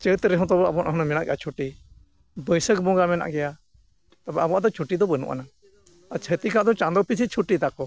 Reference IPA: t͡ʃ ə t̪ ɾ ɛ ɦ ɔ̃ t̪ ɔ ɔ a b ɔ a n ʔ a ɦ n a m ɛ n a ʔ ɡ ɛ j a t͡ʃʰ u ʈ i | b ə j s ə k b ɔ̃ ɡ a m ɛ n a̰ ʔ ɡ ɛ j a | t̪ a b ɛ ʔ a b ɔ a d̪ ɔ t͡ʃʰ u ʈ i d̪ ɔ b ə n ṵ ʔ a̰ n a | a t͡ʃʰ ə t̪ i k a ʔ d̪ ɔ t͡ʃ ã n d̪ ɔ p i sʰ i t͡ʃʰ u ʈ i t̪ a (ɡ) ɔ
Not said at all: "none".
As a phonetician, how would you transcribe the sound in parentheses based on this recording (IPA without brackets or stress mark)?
k